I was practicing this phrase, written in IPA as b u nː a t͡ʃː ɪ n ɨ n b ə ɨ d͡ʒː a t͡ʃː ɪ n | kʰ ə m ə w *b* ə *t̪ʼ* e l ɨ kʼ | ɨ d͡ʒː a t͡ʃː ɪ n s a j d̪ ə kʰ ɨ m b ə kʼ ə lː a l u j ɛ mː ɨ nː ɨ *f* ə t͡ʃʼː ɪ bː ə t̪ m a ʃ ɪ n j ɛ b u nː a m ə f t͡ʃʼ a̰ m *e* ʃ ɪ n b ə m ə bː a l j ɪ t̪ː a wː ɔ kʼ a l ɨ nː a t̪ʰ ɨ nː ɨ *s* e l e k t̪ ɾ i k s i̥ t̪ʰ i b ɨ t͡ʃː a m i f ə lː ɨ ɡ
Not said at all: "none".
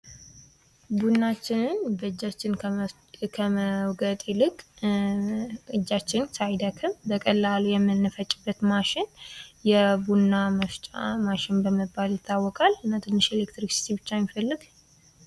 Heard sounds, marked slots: ɡ, t̪ʼ, f, a, ʃ

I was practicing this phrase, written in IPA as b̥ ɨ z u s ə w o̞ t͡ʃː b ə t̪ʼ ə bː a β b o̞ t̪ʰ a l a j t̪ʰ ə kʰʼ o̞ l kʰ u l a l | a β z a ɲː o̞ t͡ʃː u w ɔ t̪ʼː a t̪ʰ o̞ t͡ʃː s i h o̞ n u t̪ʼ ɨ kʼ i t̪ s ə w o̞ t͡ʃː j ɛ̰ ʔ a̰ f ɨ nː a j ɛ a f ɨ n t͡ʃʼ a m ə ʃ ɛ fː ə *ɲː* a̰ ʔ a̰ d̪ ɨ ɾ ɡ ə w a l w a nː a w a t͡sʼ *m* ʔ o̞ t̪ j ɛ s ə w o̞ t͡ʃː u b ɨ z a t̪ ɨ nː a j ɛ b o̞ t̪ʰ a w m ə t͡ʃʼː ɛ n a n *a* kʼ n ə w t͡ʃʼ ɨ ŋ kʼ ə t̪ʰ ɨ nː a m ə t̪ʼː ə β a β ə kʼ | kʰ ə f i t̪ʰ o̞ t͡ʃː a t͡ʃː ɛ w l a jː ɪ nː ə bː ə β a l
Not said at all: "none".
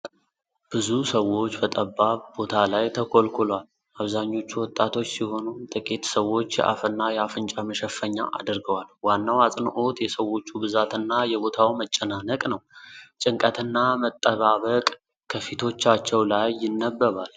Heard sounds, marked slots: ɲː, n, ə

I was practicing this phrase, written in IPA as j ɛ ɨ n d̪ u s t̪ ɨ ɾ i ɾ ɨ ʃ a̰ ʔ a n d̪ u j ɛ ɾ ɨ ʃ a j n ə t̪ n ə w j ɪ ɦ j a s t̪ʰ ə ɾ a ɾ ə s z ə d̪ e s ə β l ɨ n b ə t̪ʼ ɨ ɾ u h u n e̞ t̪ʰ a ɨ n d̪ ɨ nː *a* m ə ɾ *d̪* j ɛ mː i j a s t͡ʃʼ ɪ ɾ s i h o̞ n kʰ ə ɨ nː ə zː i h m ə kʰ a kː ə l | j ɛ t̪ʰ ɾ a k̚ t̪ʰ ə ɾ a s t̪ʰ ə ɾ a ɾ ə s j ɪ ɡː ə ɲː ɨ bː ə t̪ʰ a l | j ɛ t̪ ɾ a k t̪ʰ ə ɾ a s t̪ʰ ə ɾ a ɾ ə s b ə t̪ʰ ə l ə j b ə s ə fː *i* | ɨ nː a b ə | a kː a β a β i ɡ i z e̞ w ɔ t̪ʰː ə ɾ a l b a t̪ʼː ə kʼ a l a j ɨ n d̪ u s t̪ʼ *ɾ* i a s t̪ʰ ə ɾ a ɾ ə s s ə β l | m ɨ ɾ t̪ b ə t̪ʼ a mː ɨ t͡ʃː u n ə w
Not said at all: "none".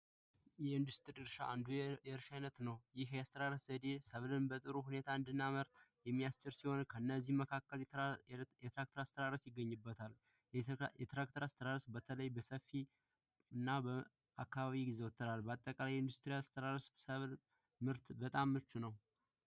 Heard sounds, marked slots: a, t̪, i, ɾ

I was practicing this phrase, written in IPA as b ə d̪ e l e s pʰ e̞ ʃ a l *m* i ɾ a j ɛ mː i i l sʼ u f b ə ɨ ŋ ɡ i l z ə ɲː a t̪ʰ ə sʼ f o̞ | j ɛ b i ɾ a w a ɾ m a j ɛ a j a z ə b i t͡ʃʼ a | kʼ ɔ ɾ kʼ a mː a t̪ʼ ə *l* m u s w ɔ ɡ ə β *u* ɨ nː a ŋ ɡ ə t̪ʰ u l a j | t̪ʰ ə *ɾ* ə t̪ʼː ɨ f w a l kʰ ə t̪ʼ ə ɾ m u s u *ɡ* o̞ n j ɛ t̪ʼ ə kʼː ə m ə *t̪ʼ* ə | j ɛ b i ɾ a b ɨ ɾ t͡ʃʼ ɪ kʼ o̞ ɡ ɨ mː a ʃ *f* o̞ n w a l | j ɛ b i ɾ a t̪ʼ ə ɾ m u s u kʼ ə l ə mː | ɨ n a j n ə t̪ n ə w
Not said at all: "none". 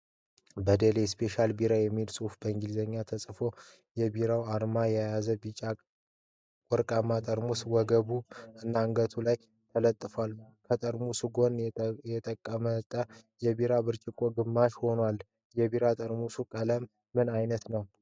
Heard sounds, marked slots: b, ɾ, u, l, ɡ, t̪ʼ, h

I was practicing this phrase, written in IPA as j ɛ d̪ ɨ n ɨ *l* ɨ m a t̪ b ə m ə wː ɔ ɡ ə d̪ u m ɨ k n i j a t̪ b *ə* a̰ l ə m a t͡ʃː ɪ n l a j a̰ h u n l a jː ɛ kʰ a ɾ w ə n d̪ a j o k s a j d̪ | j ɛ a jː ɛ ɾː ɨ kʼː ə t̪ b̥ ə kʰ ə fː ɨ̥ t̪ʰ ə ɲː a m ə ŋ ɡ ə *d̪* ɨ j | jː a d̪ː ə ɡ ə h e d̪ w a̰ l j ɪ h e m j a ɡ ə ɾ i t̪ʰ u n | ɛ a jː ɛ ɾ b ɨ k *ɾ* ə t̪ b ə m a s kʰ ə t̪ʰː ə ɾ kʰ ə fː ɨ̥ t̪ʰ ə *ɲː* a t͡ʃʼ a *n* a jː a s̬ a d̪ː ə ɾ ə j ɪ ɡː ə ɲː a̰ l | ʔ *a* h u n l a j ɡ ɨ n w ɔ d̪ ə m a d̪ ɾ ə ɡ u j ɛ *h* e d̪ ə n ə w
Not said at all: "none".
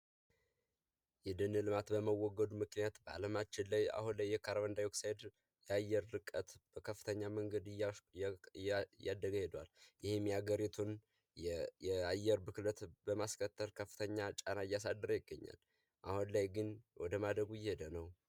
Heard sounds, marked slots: l, ə, d̪, l, ɲː, n, a, h

